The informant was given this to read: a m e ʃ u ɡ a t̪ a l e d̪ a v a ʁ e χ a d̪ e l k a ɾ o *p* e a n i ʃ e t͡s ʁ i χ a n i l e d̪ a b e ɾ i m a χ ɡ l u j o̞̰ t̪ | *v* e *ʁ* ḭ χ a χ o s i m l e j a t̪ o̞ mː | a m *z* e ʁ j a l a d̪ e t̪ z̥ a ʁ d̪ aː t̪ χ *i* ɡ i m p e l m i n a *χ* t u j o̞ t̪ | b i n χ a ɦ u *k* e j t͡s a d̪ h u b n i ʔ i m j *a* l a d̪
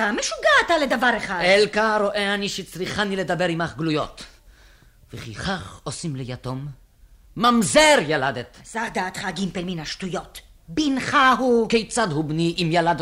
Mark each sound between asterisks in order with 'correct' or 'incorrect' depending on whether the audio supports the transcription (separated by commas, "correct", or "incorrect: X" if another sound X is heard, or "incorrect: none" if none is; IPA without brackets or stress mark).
incorrect: ʔ, correct, incorrect: χ, correct, incorrect: a, incorrect: ʃ, correct, correct